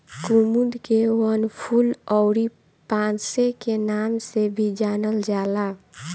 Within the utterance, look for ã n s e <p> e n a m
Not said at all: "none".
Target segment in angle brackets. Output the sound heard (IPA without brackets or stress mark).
k